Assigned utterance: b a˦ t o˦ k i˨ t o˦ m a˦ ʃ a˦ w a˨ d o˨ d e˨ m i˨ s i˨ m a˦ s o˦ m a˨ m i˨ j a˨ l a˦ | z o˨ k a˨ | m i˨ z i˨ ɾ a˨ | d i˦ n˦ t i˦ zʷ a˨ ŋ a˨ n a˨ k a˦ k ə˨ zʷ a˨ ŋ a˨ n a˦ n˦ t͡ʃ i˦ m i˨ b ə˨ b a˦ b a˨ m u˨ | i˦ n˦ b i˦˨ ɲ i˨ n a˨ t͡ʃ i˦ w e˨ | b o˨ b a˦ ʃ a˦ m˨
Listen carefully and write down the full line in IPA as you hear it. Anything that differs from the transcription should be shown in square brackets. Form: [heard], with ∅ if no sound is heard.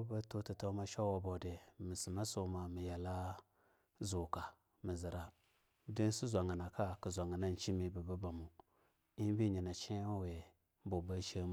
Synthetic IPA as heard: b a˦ t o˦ [t] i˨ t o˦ m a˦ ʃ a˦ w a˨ [b] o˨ d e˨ m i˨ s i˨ m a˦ s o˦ m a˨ m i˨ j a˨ l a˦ | z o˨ k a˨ | m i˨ z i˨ ɾ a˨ | d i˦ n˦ [s] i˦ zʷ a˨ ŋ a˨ n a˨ k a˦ k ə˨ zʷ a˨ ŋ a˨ n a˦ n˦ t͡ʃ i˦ m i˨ b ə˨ b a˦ b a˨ m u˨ | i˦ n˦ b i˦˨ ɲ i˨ n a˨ t͡ʃ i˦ w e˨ | b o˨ b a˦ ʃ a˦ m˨